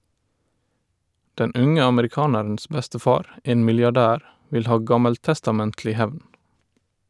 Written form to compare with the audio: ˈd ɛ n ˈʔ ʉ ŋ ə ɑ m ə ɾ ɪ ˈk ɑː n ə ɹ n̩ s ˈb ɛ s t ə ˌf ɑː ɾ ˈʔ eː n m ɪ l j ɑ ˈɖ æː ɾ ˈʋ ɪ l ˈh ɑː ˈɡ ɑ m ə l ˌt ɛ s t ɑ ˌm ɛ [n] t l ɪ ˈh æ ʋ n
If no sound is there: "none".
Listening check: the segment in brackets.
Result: n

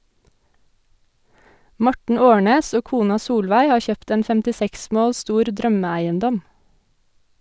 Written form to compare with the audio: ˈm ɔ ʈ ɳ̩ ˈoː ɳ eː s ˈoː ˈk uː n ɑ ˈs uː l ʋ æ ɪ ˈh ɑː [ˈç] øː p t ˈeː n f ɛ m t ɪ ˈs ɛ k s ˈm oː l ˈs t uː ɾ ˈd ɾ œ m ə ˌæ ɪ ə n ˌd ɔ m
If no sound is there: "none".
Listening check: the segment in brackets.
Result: ç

